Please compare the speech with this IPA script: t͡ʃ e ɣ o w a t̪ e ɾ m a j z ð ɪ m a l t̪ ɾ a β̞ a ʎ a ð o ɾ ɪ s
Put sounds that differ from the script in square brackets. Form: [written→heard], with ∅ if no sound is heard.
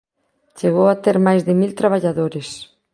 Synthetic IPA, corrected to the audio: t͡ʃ e ɣ o w a t̪ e ɾ m a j z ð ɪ m [a→i] l t̪ ɾ a β̞ a ʎ a ð o ɾ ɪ s